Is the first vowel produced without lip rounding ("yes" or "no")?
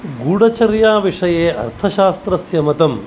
no